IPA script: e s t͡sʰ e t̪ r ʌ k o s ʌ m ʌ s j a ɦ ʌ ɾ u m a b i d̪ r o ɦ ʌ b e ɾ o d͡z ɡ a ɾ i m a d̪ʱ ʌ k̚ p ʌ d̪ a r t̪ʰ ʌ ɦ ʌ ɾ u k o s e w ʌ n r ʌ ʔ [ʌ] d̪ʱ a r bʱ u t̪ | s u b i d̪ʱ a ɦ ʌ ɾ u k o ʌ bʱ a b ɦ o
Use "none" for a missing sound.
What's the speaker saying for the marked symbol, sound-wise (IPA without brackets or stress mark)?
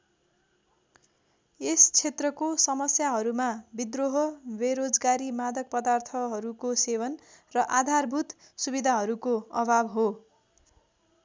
a